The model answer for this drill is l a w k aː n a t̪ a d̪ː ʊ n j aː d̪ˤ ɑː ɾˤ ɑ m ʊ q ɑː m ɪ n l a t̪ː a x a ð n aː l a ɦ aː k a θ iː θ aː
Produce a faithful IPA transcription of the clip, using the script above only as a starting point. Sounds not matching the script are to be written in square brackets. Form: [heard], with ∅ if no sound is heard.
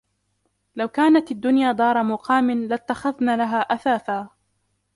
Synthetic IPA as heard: l a w k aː n a t̪ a d̪ː ʊ n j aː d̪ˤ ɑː ɾˤ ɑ m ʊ q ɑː m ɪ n l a t̪ː a x a ð n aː l a ɦ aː [ʔ] a θ [aː] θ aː